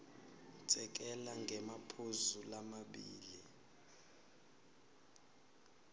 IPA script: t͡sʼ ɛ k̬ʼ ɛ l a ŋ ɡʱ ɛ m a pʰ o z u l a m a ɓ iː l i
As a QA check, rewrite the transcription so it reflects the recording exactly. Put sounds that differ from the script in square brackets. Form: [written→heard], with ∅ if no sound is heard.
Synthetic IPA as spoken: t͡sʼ ɛ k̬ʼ ɛ l a ŋ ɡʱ ɛ m a pʰ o z u l a m a ɓ iː l i